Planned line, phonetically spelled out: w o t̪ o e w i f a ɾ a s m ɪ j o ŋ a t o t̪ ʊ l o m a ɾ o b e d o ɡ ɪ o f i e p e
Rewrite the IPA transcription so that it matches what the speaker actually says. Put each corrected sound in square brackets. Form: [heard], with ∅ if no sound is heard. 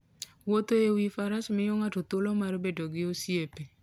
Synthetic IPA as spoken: w o t̪ o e w i f a ɾ a s m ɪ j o ŋ a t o t̪ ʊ l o m a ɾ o b e d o ɡ ɪ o [s] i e p e

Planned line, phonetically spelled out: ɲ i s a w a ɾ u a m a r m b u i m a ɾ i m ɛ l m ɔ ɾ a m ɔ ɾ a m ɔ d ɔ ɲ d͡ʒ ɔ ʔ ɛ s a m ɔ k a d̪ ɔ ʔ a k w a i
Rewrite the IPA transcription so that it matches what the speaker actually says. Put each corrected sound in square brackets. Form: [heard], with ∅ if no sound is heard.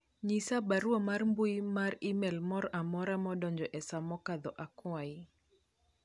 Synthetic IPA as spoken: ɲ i s a [b] a ɾ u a m a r m b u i m a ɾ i m ɛ l m ɔ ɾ a m ɔ ɾ a m ɔ d ɔ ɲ d͡ʒ ɔ ʔ ɛ s a m ɔ k a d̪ ɔ ʔ a k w a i

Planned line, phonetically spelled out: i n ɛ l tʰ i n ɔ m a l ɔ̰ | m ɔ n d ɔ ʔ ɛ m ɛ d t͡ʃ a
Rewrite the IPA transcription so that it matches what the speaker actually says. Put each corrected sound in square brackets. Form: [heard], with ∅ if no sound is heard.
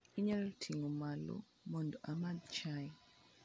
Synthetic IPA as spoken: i [ɲ] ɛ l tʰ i [ŋ] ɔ m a l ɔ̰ | m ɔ n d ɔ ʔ [a] m [a] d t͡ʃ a

